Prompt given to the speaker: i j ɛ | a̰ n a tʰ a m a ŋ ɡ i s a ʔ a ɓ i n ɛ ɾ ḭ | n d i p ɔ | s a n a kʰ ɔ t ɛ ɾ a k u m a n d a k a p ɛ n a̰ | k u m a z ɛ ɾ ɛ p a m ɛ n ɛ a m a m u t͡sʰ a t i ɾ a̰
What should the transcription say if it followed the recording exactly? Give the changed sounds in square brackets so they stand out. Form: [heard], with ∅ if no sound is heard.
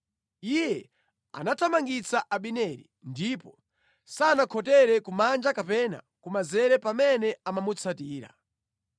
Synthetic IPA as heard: i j ɛ | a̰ n a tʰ a m a ŋ ɡ i [t͡s] a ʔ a ɓ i n ɛ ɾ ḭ | n d i p ɔ | s a n a kʰ ɔ t ɛ ɾ [ɛ] k u m a n [d͡ʒ] a k a p ɛ n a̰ | k u m a z ɛ ɾ ɛ p a m ɛ n ɛ a m a m u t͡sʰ a t [iː] ɾ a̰

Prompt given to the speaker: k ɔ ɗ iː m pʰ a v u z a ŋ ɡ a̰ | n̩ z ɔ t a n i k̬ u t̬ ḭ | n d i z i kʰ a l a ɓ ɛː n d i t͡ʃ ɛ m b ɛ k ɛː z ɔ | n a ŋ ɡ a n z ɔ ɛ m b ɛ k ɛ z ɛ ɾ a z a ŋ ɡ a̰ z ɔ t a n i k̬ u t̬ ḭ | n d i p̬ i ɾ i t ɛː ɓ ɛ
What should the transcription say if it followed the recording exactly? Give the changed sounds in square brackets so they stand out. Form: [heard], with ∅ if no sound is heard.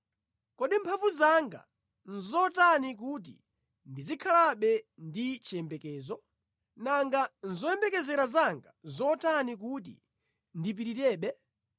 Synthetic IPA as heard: k ɔ ɗ [i] m pʰ a v u z a ŋ ɡ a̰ | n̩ z ɔ t a n i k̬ u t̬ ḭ | n d i z i kʰ a l a ɓ [ɛ] n d i t͡ʃ ɛ m b ɛ k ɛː z ɔ | n a ŋ ɡ a n z ɔ ɛ m b ɛ k ɛ z ɛ ɾ a z a ŋ ɡ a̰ z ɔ t a n i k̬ u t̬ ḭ | n d i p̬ i ɾ i t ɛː ɓ ɛ

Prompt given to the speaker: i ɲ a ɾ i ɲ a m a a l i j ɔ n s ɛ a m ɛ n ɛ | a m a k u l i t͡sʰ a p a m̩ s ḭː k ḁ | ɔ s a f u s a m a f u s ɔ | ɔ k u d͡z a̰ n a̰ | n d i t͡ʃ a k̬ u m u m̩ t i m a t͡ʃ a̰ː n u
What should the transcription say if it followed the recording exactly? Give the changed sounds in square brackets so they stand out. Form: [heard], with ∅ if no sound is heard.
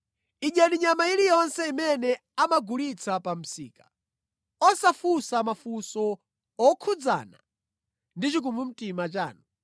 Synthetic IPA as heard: i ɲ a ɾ i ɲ a m a [i] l i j ɔ n s ɛ [i] m ɛ n ɛ | a m a [ɡ] u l i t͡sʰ a p a m̩ s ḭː k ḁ | ɔ s a f u s a m a f u s ɔ | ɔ [kʰ] u d͡z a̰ n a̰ | n d i t͡ʃ [i] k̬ u m u m̩ t i m a t͡ʃ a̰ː n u

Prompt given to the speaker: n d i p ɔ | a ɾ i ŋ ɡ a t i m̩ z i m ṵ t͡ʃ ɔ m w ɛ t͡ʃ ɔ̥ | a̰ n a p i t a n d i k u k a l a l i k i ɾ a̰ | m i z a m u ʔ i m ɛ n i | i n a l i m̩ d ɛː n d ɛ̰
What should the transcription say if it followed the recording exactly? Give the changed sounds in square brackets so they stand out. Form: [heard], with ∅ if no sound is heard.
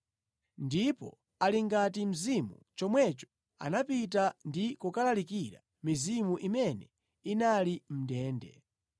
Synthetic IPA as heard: n d i p ɔ | a [l] i ŋ ɡ a t i m̩ z i m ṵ t͡ʃ ɔ m w ɛ t͡ʃ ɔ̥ | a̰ n a p i t a n d i k u k a l a l i k i ɾ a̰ | m i z [i] m u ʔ i m ɛ n [ɛ] | i n a l i m̩ d ɛː n d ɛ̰

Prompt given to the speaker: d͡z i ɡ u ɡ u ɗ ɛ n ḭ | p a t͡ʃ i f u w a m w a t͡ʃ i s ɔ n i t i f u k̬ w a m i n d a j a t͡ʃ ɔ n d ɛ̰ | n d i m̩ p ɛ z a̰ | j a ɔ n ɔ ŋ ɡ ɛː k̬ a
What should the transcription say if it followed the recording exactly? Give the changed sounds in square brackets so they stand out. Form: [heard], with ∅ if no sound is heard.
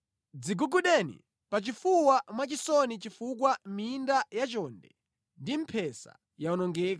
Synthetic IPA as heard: d͡z i ɡ u ɡ u ɗ ɛ n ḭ | p a t͡ʃ i f u w a m w a t͡ʃ i s ɔ n i [t͡ʃ] i f u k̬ w a m i n d a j a t͡ʃ ɔ n d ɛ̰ | n d i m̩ [pʰ] ɛ [s] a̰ | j a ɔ n ɔ ŋ ɡ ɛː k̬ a

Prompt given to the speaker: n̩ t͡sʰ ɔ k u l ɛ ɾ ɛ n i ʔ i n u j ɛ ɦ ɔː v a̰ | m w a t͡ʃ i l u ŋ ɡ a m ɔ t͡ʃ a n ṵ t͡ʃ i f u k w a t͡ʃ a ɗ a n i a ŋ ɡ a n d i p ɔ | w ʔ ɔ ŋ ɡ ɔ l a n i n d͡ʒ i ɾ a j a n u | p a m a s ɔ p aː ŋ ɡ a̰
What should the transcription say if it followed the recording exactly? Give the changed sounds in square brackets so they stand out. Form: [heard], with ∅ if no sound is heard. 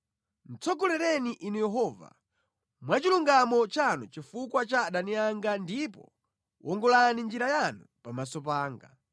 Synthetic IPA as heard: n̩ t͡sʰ ɔ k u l ɛ ɾ ɛ n i ʔ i n u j ɛ ɦ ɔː v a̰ | m w a t͡ʃ i l u ŋ ɡ a m ɔ t͡ʃ a n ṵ t͡ʃ i f u k w a t͡ʃ a ɗ a n i a ŋ ɡ a n d i p ɔ | w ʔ ɔ ŋ ɡ ɔ l a n i n d͡ʒ i ɾ a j a n u | p a m a s ɔ p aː ŋ ɡ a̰

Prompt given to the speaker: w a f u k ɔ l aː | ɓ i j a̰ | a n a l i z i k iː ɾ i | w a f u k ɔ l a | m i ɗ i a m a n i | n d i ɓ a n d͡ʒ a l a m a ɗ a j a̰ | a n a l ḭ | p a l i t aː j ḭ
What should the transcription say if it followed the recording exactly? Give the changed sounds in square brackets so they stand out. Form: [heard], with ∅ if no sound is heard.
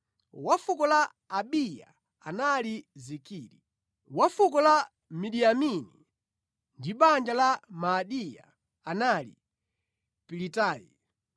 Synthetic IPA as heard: w a f u k ɔ l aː | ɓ i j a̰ | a n a l i z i k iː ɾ i | w a f u k ɔ l a | m i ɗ i a m [i] n i | n d i ɓ a n d͡ʒ a l a m a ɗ [i] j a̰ | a n a l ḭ | p [i] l i t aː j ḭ

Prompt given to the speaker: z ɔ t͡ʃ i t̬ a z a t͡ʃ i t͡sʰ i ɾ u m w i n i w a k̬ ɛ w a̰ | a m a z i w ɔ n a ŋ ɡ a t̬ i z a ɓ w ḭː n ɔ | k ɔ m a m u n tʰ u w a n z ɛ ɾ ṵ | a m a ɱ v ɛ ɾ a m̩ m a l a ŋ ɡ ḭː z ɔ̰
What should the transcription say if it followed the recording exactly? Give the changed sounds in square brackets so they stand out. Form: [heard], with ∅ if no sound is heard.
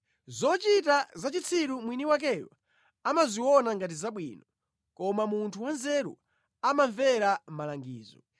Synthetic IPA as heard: z ɔ t͡ʃ i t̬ a z a t͡ʃ i t͡sʰ i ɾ u m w i n i w a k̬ ɛ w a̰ | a m a z i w ɔ n a ŋ ɡ a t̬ i z a ɓ w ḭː n ɔ | k ɔ m a m u n tʰ u w a n z ɛ ɾ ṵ | a m a ɱ v ɛ ɾ a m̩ m a l a ŋ ɡ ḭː z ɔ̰

